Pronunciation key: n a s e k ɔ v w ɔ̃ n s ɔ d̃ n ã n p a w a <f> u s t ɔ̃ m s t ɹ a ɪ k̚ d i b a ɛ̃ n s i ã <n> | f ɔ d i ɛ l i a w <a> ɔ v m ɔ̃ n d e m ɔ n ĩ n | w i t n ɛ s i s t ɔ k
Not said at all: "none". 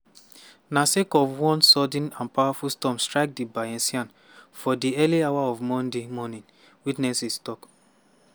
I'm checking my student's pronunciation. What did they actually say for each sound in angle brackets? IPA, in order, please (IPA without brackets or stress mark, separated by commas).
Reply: f, n, a